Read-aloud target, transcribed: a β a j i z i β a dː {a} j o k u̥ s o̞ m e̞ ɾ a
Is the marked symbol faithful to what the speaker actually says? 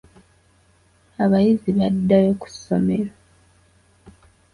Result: yes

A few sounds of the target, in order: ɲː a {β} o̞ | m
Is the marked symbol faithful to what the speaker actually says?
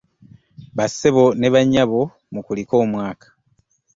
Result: yes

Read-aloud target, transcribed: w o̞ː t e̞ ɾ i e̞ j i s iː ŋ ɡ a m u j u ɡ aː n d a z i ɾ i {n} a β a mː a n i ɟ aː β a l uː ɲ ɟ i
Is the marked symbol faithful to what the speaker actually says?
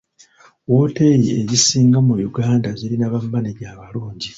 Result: yes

